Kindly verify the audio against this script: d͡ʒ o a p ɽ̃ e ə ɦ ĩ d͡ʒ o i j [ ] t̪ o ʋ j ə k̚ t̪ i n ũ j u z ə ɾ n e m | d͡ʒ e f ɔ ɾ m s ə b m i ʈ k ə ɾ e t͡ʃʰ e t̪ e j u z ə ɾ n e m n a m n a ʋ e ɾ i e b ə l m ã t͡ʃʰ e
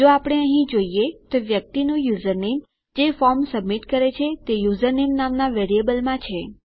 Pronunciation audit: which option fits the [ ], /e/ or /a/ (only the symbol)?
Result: e